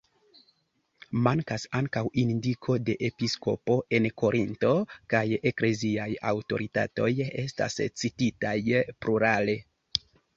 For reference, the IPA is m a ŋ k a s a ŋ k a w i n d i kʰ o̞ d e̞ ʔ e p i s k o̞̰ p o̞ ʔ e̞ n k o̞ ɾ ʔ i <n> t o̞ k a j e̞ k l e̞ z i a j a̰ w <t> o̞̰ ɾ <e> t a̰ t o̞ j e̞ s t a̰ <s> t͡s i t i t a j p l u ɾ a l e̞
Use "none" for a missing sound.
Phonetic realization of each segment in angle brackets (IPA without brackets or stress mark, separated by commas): n, t, i, s